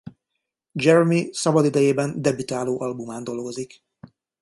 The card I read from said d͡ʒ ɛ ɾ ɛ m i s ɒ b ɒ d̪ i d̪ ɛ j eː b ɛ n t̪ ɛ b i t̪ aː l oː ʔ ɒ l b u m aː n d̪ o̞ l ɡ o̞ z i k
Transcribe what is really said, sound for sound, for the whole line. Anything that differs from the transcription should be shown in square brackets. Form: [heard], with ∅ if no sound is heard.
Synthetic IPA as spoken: d͡ʒ ɛ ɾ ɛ m i s ɒ b ɒ d̪ i d̪ ɛ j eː b ɛ n [d̪] ɛ b i t̪ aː l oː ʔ ɒ l b u m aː n d̪ o̞ l ɡ o̞ z i k